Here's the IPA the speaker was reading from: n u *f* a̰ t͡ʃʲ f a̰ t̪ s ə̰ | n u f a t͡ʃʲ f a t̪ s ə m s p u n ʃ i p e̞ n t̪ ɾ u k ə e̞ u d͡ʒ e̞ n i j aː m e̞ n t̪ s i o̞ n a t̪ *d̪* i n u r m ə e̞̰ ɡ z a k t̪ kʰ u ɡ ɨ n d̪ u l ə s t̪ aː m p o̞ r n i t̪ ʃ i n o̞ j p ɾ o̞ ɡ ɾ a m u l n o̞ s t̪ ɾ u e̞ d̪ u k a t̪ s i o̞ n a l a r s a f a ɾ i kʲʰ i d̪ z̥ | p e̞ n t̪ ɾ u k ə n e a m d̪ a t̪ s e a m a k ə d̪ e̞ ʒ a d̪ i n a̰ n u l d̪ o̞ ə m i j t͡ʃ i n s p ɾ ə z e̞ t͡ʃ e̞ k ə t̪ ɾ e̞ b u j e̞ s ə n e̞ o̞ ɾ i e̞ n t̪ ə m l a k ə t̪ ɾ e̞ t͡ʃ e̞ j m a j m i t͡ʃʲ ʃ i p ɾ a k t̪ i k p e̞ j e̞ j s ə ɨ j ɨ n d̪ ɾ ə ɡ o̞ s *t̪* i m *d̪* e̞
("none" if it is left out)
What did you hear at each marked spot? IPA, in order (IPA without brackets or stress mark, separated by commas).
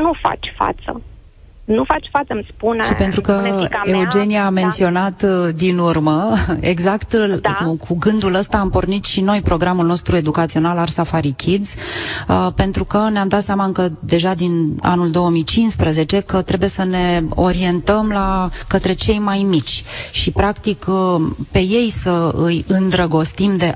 f, d̪, t̪, d̪